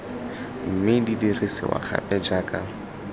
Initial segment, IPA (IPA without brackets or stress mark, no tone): m̩